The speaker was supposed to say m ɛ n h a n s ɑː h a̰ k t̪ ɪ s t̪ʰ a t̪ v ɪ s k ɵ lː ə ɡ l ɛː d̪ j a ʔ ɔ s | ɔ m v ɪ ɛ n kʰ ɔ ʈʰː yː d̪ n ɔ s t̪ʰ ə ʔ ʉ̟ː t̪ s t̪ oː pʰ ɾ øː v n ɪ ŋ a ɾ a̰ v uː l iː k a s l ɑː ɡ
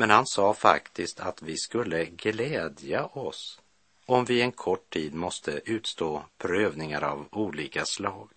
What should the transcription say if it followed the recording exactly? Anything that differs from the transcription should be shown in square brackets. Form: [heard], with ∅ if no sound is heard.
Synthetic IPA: m ɛ n h a n s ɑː [f] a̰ k t̪ ɪ s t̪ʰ a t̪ v ɪ s k ɵ lː ə ɡ l ɛː d̪ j a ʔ ɔ s | ɔ m v ɪ ɛ n kʰ ɔ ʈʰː [iː] d̪ [m] ɔ s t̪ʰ ə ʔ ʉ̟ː t̪ s t̪ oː pʰ ɾ øː v n ɪ ŋ a ɾ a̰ v uː l iː k a s l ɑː ɡ